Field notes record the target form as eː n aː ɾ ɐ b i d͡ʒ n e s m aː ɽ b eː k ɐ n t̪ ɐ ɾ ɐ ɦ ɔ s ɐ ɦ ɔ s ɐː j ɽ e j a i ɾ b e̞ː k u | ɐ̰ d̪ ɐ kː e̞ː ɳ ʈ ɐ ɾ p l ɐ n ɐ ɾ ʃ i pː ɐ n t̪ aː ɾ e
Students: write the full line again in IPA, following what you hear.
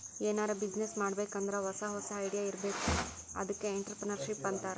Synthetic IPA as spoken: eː n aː ɾ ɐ b i d͡ʒ n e s m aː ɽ b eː k ɐ n d̪ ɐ ɾ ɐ ɦ ɔ s ɐ ɦ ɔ s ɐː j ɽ i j a i ɾ b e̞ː k u | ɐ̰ d̪ ɐ kː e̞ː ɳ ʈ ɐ ɾ p ɾ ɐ n ɐ ɾ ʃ i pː ɐ n t̪ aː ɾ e